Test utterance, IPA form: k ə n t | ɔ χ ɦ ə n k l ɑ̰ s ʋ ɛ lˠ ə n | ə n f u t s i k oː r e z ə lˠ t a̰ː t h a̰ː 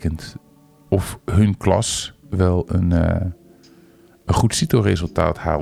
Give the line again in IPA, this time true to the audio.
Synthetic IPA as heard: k ə n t | ɔ f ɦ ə n k l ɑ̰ s ʋ ɛ lˠ ə n | ə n χ u t s i t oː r e z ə lˠ t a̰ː t h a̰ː